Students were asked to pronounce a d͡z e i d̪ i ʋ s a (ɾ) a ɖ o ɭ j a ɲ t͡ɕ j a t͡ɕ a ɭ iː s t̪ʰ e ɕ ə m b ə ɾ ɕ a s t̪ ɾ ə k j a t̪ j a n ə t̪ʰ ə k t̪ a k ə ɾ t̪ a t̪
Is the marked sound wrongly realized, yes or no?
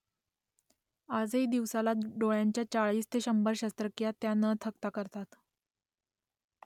yes